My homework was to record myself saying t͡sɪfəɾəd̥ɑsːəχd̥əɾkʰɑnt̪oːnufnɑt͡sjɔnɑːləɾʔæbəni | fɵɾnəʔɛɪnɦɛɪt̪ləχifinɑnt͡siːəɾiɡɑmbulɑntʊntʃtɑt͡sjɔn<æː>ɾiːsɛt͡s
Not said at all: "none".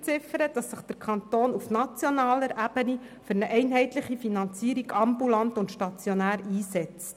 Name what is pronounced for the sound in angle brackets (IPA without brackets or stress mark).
æː